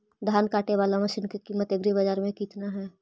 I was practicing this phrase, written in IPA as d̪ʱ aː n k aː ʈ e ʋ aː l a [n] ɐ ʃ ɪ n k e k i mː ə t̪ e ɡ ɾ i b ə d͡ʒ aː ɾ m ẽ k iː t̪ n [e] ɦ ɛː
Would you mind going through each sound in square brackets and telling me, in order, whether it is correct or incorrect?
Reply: incorrect: m, incorrect: a

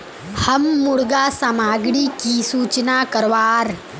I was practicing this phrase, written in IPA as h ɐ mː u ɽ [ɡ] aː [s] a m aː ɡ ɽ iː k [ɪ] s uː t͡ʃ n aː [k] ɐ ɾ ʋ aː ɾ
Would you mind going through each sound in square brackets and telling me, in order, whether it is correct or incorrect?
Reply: correct, correct, incorrect: i, correct

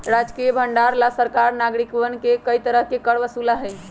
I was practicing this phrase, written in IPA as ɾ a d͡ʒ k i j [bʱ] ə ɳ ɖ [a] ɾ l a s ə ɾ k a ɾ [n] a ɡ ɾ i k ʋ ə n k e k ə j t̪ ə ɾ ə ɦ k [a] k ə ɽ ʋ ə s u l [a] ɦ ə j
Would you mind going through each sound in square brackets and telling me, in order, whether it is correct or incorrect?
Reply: correct, correct, correct, incorrect: e, correct

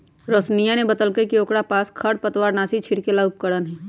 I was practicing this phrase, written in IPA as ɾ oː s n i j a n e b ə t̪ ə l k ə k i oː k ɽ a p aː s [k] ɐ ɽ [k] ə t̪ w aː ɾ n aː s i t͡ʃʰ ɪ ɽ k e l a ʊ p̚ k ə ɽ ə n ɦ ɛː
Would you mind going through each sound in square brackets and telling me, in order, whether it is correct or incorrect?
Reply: incorrect: kʰ, incorrect: p

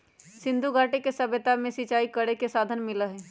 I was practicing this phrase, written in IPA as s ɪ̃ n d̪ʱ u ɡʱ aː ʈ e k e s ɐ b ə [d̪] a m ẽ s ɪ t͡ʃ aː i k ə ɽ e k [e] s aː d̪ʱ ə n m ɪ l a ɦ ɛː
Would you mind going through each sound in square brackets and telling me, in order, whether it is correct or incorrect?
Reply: incorrect: t̪, correct

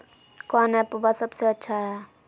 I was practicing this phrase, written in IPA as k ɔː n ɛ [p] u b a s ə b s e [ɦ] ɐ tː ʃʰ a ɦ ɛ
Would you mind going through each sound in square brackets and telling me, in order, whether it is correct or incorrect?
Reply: correct, incorrect: none

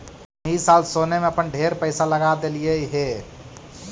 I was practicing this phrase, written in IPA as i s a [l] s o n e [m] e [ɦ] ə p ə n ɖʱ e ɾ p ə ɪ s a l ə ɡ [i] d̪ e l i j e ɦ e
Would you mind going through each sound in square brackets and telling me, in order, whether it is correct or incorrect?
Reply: correct, correct, incorrect: none, incorrect: a

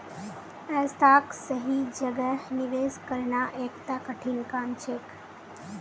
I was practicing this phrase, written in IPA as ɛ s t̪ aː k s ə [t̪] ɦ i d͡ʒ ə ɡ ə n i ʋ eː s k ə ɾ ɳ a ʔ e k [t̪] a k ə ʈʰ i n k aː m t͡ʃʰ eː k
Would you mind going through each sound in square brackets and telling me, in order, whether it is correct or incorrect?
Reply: incorrect: none, correct

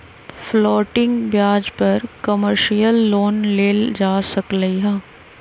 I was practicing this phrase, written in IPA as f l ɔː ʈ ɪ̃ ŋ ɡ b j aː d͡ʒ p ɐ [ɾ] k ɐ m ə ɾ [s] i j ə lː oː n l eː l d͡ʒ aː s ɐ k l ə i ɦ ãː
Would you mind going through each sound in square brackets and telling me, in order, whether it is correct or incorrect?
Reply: correct, incorrect: ʃ

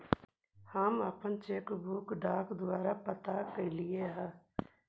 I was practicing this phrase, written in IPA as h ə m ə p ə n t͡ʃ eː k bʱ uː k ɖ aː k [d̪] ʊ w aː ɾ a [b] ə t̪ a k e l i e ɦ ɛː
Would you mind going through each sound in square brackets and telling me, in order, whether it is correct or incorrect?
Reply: correct, incorrect: p

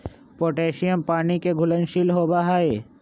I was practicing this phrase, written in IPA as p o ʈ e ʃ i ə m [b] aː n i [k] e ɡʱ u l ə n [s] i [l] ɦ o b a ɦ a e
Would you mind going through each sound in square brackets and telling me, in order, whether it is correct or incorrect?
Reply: incorrect: p, correct, incorrect: ʃ, correct

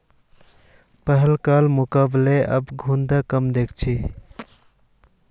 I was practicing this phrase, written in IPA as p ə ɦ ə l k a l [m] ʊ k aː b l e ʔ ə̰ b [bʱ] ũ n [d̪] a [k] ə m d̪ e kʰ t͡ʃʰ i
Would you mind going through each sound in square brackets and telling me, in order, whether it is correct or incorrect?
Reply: correct, incorrect: ɡʱ, correct, correct

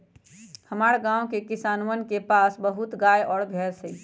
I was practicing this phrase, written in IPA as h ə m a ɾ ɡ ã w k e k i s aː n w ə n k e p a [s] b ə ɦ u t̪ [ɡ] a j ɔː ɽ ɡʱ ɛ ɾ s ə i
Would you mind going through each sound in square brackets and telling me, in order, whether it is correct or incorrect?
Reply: correct, correct

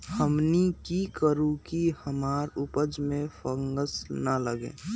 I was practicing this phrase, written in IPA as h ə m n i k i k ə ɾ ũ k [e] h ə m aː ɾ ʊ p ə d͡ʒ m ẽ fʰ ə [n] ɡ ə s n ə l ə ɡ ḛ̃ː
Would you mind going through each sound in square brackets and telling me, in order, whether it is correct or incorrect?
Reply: incorrect: i, incorrect: ŋ

